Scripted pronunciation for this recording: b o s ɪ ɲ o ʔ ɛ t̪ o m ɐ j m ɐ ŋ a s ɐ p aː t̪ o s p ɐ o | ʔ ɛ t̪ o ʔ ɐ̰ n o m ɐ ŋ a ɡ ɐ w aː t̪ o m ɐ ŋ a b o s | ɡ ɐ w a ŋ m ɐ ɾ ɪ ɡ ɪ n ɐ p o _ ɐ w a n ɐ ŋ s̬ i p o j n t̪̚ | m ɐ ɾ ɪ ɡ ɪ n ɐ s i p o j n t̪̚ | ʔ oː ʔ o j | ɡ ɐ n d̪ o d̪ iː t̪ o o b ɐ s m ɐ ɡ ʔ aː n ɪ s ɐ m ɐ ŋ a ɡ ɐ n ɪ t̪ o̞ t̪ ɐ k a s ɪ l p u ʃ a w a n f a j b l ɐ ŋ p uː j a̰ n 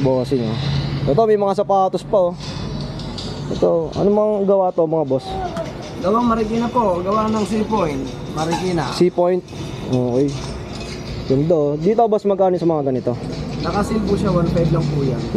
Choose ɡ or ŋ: ɡ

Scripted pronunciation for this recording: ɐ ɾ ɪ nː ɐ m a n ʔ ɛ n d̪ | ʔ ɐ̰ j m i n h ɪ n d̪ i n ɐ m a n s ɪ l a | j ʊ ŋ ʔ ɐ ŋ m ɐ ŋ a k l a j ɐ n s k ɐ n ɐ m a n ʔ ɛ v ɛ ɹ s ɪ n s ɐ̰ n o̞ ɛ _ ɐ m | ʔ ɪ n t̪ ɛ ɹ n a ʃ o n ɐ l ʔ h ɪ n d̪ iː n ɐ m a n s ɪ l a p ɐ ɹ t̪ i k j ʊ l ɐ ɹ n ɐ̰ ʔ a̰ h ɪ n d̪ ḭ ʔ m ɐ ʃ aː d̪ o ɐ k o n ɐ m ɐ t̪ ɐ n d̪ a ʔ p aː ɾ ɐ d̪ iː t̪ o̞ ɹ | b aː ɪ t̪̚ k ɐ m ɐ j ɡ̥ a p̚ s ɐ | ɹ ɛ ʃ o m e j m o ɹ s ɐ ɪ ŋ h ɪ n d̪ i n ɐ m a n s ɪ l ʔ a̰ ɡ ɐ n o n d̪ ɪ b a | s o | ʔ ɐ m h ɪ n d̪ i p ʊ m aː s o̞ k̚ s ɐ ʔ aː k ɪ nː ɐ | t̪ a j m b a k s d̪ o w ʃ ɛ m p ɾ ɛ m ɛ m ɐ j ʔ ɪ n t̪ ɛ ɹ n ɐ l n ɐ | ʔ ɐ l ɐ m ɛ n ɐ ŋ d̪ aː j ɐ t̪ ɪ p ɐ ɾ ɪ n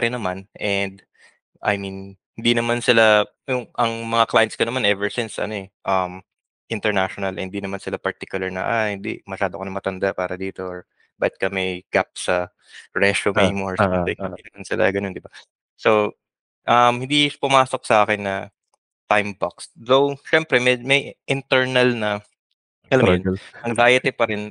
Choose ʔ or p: ʔ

